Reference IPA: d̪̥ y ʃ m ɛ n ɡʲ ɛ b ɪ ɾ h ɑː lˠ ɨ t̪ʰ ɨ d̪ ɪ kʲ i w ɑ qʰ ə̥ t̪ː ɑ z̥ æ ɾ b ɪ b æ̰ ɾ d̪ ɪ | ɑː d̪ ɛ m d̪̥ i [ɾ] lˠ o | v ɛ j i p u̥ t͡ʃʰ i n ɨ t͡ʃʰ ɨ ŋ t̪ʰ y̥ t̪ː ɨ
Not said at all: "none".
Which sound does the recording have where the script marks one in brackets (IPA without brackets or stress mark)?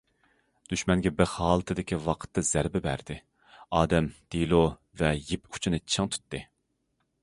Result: none